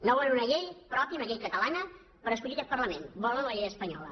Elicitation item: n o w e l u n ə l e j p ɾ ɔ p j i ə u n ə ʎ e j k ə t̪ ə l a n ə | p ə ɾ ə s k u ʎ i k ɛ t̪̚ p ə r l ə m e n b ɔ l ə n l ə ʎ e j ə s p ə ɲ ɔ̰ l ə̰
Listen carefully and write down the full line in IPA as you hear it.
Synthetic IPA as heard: n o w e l u n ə ʎ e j p ɾ ɔ p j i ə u n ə ʎ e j k ə t̪ ə l a n ə | p ə ɾ ə s k u ʎ i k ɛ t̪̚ p ə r l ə m e n b ɔ l ə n l ə ʎ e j ə s p ə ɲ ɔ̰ l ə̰